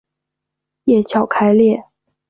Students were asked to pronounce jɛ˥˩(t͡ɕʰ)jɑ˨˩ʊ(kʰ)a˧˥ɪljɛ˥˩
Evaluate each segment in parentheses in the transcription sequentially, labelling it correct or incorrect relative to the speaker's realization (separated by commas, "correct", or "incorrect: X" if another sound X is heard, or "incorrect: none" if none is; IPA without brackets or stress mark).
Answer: correct, correct